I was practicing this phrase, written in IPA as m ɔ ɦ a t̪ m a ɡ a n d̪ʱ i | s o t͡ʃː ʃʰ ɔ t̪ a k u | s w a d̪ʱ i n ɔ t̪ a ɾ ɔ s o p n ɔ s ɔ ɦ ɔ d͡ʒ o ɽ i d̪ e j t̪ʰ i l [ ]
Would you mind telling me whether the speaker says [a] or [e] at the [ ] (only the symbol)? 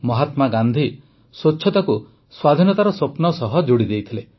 e